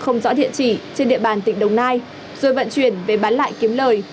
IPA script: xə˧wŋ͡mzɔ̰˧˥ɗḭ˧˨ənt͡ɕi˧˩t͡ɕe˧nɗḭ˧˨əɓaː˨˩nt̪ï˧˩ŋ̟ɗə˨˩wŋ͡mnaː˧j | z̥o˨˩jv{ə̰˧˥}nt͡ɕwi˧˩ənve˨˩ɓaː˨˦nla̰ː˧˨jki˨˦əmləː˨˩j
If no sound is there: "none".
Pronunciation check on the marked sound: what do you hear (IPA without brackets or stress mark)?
ə̰˧˨